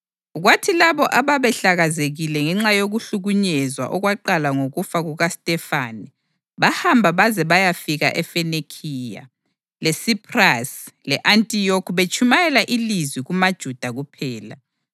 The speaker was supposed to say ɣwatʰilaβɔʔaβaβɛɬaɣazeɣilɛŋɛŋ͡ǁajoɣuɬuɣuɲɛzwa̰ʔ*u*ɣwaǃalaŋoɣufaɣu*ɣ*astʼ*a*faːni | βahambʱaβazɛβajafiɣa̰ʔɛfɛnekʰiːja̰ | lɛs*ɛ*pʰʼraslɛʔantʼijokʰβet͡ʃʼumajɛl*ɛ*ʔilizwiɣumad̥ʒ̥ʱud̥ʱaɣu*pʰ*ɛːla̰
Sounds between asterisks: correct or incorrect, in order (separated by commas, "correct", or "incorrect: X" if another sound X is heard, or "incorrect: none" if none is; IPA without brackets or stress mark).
incorrect: ɔ, correct, incorrect: ɛ, incorrect: i, incorrect: a, correct